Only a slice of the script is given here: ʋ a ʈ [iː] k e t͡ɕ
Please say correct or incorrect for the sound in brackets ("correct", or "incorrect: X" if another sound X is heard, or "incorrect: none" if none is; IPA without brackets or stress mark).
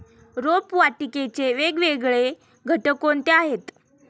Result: incorrect: i